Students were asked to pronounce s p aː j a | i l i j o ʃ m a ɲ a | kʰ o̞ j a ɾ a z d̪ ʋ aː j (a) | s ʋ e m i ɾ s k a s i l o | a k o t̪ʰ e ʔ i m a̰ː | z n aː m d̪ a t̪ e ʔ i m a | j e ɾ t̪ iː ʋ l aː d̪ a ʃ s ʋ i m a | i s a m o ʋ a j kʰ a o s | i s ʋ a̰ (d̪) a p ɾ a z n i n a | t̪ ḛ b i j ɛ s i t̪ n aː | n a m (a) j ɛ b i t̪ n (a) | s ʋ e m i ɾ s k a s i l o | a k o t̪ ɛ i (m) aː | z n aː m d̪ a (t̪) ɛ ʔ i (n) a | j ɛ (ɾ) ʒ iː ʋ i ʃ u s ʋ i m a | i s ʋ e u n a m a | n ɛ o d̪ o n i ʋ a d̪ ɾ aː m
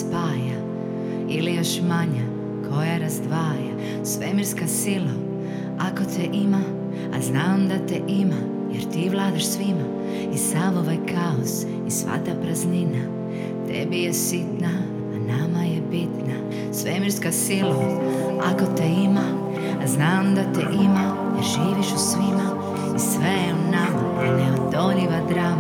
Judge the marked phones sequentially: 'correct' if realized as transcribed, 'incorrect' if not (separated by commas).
correct, incorrect, correct, correct, correct, correct, incorrect, correct